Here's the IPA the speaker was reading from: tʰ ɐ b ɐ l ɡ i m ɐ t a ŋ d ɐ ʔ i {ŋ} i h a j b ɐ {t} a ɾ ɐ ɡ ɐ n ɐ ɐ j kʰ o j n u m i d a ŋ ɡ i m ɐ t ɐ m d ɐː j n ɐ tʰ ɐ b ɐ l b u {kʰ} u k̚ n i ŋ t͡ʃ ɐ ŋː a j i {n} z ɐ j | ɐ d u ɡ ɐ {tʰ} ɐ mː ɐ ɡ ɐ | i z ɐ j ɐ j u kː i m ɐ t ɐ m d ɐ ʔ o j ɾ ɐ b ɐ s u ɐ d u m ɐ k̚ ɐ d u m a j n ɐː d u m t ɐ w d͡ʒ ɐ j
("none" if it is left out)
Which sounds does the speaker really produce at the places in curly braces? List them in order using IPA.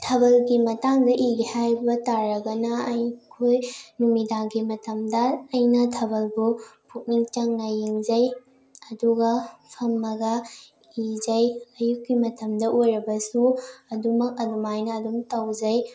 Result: ɡ, t, pʰ, ŋ, pʰ

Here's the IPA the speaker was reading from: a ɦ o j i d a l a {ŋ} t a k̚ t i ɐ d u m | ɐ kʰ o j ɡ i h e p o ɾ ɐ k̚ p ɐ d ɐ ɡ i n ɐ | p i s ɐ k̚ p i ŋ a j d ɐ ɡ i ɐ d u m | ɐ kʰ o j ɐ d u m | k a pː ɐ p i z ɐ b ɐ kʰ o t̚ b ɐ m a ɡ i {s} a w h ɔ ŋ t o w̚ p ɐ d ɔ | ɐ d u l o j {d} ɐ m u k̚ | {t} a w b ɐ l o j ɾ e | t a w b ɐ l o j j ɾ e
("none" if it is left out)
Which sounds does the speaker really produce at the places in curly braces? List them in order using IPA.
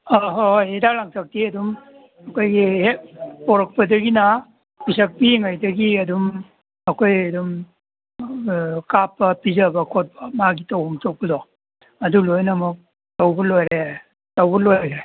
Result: ŋ, t, n, t

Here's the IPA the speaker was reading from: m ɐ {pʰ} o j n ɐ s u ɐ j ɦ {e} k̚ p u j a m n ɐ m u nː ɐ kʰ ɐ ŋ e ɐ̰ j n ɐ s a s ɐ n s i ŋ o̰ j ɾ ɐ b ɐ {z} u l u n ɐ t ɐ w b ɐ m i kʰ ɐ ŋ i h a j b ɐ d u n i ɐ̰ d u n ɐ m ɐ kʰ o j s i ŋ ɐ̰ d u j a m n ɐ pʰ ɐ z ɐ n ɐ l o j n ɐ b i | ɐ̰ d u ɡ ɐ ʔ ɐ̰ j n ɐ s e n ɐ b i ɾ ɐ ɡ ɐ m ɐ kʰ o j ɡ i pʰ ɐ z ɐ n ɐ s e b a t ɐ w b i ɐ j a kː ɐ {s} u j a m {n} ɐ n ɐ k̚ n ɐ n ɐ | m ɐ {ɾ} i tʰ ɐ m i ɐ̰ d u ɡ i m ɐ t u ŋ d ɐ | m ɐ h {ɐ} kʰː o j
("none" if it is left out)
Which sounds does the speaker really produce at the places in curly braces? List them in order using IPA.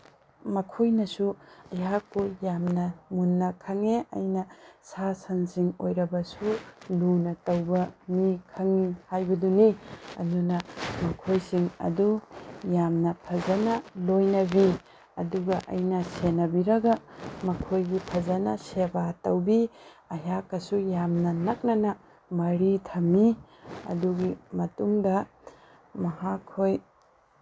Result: kʰ, a, s, s, n, ɾ, a

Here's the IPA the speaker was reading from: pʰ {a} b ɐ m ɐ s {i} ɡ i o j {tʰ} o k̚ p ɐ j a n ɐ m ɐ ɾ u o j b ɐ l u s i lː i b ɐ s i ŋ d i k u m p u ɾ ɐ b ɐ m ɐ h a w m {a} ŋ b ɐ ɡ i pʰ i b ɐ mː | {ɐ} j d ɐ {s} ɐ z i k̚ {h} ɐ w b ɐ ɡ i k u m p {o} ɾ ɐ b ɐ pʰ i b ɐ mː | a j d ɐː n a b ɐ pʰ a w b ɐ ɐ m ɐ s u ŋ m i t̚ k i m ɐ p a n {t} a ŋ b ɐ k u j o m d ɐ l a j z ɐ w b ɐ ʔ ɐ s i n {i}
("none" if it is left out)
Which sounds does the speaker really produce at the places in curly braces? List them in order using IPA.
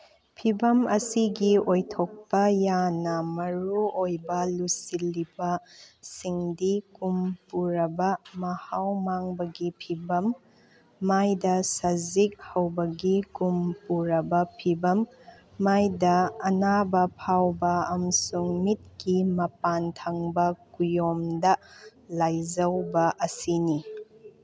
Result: i, i, tʰ, a, a, s, h, u, tʰ, i

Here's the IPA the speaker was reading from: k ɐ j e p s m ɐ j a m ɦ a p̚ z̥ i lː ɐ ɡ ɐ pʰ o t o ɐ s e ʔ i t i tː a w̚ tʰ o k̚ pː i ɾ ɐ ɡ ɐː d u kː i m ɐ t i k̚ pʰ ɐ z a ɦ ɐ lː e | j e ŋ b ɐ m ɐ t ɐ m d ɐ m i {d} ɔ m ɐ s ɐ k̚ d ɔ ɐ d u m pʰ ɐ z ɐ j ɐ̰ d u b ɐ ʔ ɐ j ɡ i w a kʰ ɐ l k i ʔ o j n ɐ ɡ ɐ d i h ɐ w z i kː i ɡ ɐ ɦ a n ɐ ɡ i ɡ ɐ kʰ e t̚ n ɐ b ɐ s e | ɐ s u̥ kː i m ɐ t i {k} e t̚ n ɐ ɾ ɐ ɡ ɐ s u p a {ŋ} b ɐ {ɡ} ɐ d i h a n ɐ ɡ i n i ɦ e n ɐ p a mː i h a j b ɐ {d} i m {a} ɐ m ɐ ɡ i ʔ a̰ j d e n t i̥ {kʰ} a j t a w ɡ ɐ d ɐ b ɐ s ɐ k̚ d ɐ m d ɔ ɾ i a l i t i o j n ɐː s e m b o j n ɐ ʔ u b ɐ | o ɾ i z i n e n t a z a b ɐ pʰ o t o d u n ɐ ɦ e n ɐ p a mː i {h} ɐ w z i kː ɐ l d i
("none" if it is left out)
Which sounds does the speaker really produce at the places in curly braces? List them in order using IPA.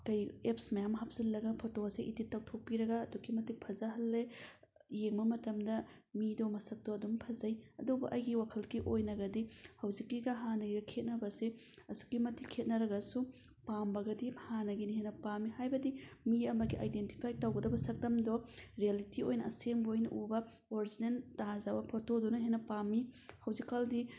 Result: d, kʰ, m, ɡ, d, i, pʰ, h

